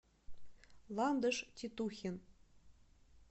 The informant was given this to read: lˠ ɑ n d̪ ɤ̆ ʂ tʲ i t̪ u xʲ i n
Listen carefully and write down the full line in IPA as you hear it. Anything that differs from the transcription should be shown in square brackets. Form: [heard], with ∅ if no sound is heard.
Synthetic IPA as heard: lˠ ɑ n d̪ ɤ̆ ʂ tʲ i t̪ u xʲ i n